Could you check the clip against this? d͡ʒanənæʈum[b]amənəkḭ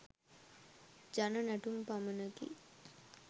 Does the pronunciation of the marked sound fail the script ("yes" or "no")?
yes